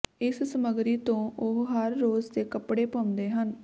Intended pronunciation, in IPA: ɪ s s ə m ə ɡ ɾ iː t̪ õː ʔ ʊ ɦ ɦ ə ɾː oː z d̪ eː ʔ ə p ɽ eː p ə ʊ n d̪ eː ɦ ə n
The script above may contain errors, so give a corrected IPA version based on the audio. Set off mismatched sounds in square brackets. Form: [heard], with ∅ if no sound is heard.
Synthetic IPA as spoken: ɪ s s ə m ə ɡ ɾ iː t̪ õː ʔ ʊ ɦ ɦ ə ɾː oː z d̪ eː [k] ə p ɽ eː p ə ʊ n d̪ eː ɦ ə n